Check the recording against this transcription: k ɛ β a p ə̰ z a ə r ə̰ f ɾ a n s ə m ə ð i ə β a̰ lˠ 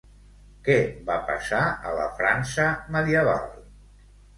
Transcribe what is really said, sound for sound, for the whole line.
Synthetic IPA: k ɛ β a p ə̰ s a ə l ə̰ f ɾ a n s ə m ə ð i ə β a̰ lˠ